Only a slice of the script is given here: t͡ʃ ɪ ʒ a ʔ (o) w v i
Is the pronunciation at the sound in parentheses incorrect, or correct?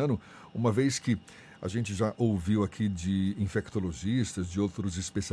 correct